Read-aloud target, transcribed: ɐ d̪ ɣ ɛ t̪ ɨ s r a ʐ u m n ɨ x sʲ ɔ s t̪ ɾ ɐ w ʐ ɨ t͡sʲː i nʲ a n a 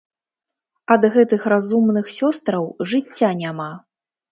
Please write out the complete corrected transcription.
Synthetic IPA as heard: ɐ d̪ ɣ ɛ t̪ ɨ x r a z u m n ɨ x sʲ ɔ s t̪ ɾ ɐ w ʐ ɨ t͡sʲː a nʲ a m a